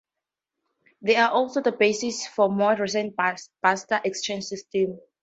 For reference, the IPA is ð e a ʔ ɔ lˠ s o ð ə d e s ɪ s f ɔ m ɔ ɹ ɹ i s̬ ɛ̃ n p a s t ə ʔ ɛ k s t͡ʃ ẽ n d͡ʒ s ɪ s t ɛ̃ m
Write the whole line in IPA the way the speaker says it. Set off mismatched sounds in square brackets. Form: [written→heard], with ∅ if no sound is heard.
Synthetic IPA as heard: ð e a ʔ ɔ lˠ s o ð ə [d→b] e s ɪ s f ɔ m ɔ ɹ ɹ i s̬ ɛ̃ n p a s t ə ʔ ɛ k s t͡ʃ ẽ n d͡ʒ s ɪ s t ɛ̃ m